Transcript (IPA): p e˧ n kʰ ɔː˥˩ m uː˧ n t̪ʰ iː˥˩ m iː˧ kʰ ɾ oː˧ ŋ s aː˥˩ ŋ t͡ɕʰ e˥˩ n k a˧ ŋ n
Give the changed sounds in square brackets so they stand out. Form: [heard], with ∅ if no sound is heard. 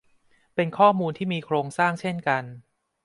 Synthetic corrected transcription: p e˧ n kʰ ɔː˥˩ m uː˧ n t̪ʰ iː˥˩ m iː˧ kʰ ɾ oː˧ ŋ s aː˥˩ ŋ t͡ɕʰ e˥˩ n k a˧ [∅] n